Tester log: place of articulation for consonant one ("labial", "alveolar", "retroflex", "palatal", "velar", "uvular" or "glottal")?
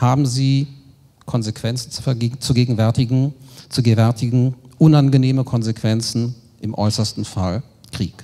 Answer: glottal